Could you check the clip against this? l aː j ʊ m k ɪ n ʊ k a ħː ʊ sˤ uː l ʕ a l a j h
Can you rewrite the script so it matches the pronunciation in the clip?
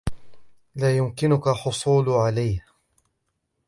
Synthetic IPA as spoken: l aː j ʊ m k ɪ n ʊ k a ħ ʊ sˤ uː l ʕ a l a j h